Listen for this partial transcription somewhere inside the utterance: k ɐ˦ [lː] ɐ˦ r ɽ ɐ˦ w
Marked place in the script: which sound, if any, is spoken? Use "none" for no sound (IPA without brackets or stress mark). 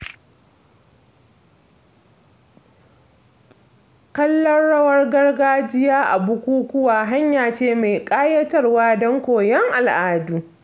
lː